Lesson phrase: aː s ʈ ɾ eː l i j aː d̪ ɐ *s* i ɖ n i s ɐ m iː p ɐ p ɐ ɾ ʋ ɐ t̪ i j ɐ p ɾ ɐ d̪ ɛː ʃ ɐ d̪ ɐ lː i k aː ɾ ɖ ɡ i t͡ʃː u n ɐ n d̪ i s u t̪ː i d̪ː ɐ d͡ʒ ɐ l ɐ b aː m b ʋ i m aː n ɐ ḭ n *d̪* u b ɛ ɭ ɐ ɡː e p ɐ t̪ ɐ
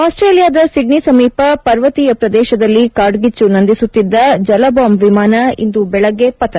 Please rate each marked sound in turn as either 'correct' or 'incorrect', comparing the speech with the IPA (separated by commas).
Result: correct, correct